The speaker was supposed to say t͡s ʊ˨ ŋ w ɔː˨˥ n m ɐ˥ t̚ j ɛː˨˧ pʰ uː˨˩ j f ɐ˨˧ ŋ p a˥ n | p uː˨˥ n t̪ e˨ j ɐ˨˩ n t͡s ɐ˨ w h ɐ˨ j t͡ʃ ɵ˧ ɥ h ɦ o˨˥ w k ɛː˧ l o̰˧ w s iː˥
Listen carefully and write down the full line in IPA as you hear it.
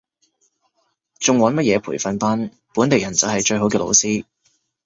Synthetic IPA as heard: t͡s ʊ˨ ŋ w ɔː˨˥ n m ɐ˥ t̚ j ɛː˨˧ pʰ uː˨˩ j f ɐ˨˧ n p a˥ n | p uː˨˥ n t̪ e˨ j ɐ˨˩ n t͡s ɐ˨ w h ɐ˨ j t͡ʃ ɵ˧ ɥ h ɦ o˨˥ w k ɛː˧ l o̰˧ w s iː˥